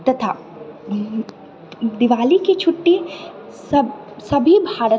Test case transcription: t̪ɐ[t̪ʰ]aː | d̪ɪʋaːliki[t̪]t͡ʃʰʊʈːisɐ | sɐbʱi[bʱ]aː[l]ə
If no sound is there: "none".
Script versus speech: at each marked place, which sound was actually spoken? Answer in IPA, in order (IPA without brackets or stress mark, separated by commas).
t̪ʰ, none, bʱ, ɾ